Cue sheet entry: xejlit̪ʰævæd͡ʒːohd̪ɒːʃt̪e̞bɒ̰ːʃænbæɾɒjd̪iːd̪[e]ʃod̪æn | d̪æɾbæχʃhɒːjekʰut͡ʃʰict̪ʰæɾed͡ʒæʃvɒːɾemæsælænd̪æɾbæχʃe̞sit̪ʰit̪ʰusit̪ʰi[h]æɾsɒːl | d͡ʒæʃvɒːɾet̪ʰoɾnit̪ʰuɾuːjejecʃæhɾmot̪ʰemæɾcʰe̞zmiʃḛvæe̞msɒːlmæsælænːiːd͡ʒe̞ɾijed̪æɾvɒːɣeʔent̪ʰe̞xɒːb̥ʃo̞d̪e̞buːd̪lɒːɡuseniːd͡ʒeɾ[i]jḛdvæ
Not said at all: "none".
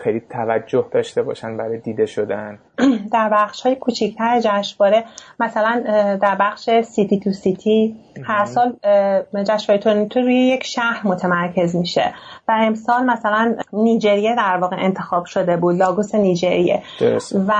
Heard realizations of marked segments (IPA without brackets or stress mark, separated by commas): e, h, i